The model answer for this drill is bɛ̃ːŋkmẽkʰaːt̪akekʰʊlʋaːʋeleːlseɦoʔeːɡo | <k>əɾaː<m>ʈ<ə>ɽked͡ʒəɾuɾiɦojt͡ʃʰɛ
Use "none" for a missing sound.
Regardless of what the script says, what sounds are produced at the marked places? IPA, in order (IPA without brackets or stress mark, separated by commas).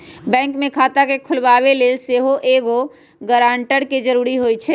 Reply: ɡ, ɳ, ə